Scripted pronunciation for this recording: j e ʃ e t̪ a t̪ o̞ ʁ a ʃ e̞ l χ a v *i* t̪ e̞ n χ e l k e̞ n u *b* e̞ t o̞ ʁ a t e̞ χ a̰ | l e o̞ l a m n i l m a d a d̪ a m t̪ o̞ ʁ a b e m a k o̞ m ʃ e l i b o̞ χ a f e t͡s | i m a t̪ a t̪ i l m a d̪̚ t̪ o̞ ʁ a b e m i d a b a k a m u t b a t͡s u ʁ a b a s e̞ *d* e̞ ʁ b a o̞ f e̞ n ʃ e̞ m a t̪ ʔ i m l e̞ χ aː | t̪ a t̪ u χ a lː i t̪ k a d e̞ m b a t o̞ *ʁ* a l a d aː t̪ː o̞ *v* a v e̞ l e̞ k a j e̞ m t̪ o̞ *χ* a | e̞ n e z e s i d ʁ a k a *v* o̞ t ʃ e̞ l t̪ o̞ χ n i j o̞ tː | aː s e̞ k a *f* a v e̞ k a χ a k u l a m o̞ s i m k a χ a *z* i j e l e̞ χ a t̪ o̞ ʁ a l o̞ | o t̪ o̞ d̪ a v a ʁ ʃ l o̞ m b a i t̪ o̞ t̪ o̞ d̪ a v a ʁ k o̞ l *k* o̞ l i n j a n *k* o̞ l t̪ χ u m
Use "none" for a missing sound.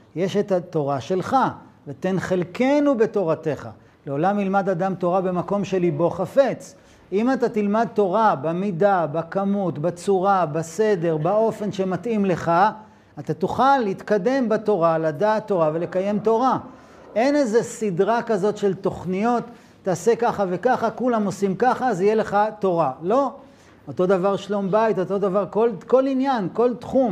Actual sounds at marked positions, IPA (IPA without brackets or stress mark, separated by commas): e, b, d, ʁ, ʁ, ʁ, z, χ, z, k, k